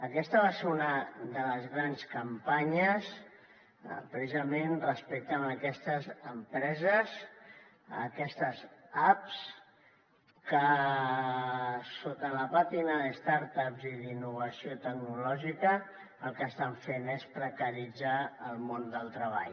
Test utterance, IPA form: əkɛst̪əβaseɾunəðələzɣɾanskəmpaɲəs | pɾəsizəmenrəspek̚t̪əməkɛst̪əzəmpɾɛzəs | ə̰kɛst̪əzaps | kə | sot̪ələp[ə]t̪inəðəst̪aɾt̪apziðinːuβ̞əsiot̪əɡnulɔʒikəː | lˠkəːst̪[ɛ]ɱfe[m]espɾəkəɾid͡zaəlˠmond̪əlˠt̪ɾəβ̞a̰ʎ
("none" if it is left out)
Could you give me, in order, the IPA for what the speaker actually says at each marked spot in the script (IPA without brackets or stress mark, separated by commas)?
a, a, n